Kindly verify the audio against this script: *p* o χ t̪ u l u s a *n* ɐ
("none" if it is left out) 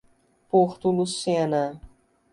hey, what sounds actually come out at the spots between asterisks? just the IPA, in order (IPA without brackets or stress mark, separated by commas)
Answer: p, n